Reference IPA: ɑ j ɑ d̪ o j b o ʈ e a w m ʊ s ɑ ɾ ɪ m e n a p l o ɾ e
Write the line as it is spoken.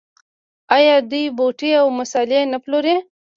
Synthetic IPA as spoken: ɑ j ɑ d̪ u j b o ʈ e a w m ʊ s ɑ l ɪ e n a p l o ɾ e